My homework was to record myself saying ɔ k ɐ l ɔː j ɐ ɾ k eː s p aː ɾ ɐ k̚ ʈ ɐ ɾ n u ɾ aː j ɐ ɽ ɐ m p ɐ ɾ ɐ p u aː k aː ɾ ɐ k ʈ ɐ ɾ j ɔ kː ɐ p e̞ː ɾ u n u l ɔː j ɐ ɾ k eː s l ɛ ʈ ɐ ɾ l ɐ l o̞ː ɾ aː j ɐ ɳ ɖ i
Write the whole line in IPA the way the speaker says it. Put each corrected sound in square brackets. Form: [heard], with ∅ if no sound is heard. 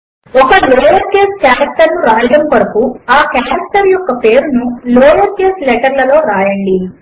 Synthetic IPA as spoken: ɔ k ɐ l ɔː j ɐ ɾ k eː s [k] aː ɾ ɐ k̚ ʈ ɐ ɾ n u ɾ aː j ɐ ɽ ɐ m p ɐ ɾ ɐ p u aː k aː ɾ ɐ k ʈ ɐ ɾ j ɔ kː ɐ p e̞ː ɾ u n u l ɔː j ɐ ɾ k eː s l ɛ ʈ ɐ ɾ l ɐ l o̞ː ɾ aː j ɐ ɳ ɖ i